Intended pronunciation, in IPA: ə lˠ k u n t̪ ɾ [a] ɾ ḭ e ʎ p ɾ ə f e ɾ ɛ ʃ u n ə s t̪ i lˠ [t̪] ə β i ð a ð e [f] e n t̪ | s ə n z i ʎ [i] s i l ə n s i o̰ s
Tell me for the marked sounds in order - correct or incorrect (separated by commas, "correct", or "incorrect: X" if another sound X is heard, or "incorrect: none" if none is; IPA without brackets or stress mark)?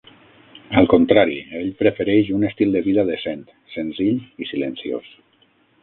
correct, incorrect: d̪, incorrect: s, correct